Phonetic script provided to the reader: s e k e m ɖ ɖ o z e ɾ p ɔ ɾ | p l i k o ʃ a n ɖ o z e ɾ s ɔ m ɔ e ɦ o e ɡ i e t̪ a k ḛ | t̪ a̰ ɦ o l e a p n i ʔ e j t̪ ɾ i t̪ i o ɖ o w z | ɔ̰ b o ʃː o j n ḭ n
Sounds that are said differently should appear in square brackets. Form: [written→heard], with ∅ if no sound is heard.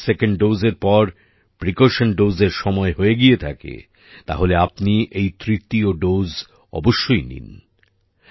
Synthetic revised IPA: s e k e [m→ɳ] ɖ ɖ o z e ɾ p ɔ ɾ | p [l→ɾ] i k o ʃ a n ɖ o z e ɾ [s→ʃ] ɔ m ɔ e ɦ o e ɡ i e [t̪→t̪ʰ] a k ḛ | t̪ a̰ ɦ o l e a p n i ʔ e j t̪ ɾ i t̪ i o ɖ o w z | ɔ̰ b o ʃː o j n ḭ n

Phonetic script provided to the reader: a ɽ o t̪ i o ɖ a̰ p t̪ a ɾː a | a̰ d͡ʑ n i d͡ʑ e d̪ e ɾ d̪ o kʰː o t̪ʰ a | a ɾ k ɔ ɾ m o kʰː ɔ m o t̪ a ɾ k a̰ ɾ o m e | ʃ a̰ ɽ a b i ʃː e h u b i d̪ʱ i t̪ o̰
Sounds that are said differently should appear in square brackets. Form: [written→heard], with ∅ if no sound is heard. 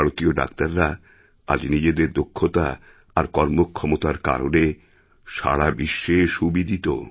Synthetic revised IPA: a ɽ o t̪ i o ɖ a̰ [p→k] t̪ a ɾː a | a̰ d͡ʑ n i d͡ʑ e d̪ e ɾ d̪ o kʰː o [t̪ʰ→t̪] a | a ɾ k ɔ ɾ m o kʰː ɔ m o t̪ a ɾ k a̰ ɾ o [m→n] e | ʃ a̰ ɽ a b i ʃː e [h→ʃ] u b i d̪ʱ i t̪ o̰

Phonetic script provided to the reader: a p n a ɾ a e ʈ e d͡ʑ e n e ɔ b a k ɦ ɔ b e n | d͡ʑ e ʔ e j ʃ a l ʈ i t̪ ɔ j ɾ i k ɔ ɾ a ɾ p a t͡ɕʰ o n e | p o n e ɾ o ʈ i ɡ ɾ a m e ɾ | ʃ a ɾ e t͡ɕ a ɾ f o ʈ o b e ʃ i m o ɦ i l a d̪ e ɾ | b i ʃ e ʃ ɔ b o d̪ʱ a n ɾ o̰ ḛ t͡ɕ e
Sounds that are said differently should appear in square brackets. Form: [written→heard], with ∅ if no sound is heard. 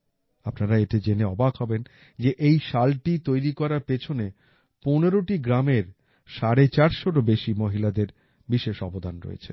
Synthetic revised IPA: a p n a ɾ a e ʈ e d͡ʑ e n e ɔ b a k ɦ ɔ b e n | d͡ʑ e ʔ e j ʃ a l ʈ i t̪ [ɔ→o] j ɾ i k ɔ ɾ a ɾ p [a→e] t͡ɕʰ o n e | p o n e ɾ o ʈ i ɡ ɾ a m e ɾ | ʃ a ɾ e t͡ɕ a ɾ [f→ʃ] o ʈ o b e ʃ i m o ɦ i l a d̪ e ɾ | b i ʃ e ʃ ɔ b o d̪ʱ a n ɾ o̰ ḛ [t͡ɕ→t͡ɕʰ] e

